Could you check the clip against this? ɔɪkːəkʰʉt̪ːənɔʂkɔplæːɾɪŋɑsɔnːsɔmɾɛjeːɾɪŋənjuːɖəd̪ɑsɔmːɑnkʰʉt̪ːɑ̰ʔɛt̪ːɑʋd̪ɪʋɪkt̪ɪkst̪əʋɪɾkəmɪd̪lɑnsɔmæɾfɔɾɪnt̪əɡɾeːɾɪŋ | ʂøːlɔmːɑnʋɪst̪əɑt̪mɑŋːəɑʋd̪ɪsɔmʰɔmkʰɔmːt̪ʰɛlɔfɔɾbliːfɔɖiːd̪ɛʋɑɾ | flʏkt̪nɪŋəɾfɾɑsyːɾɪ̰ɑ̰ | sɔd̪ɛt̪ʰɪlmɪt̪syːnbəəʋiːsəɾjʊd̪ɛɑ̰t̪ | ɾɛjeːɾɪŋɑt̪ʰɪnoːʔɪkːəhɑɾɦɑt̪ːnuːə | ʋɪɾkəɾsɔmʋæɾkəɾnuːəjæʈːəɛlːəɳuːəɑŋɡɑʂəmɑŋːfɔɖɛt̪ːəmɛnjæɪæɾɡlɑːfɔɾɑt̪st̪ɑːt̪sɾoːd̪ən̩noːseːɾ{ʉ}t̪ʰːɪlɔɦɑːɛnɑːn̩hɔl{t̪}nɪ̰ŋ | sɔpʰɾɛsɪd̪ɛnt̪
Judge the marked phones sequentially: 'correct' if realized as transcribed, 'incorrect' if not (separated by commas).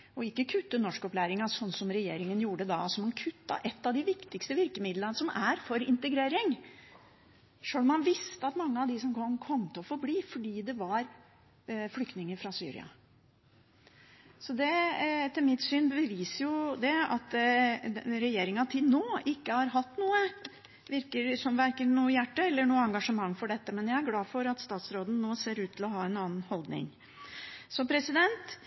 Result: incorrect, incorrect